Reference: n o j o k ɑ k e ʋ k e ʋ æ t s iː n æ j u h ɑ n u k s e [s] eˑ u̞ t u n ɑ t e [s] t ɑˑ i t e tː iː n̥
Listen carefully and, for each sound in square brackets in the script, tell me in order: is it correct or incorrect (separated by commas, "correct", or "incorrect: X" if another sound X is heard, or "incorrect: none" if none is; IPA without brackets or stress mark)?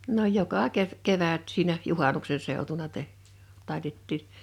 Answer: correct, incorrect: h